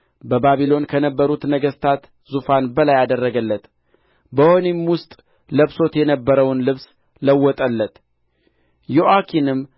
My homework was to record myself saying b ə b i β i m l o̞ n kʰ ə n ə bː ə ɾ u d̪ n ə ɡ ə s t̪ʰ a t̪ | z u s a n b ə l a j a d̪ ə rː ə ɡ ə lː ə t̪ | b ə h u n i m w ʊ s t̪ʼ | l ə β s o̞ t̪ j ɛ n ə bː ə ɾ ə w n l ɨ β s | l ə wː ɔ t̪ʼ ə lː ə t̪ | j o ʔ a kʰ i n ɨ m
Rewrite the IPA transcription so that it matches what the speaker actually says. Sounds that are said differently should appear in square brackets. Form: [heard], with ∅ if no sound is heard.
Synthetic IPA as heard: b ə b [a] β i [∅] l o̞ n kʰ ə n ə bː ə ɾ u [t̪] n ə ɡ ə s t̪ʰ a t̪ | z u [f] a n b ə l a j a d̪ ə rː ə ɡ ə lː ə t̪ | b ə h [o] n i m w ʊ s t̪ʼ | l ə β s o̞ t̪ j ɛ n ə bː ə ɾ ə w n l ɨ β s | l ə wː ɔ t̪ʼ ə lː ə t̪ | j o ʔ a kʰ i n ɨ m